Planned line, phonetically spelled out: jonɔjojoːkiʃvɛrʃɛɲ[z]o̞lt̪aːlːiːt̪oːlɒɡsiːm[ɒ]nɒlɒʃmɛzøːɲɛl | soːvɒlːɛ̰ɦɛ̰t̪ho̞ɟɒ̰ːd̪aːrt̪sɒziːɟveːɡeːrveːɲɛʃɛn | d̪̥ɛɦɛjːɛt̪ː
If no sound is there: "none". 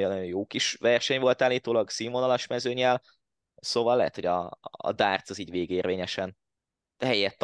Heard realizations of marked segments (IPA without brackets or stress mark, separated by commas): v, o